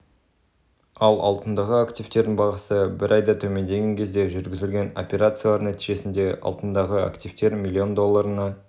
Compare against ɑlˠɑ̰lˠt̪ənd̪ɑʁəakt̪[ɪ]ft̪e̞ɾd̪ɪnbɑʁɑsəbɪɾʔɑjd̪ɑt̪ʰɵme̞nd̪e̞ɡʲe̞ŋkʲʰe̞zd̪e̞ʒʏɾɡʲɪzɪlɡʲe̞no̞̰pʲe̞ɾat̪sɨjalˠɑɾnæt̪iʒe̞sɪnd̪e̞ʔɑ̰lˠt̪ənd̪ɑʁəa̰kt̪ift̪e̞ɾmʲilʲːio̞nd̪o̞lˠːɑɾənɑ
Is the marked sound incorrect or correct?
incorrect